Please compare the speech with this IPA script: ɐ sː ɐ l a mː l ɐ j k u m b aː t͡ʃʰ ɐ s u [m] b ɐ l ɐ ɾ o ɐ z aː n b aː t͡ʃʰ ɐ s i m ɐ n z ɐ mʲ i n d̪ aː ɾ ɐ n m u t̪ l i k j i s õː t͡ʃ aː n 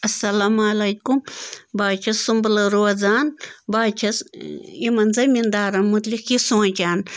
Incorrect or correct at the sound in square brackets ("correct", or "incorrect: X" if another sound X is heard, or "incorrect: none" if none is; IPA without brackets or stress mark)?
correct